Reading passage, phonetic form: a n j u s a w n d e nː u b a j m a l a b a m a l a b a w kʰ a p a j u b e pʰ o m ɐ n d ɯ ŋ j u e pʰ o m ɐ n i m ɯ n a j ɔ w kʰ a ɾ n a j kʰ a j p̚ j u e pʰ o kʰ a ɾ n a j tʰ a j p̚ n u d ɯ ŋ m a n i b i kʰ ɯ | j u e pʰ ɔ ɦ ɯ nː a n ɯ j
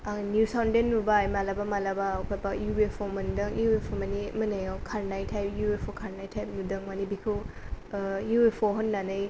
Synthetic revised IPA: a n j u s a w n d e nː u b a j m a l a b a m a l a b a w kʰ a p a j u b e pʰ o m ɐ n d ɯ ŋ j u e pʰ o m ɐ n i m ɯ n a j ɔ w kʰ a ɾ n a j tʰ a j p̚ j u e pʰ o kʰ a ɾ n a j tʰ a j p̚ n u d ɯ ŋ m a n i b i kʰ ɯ | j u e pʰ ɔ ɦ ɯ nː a n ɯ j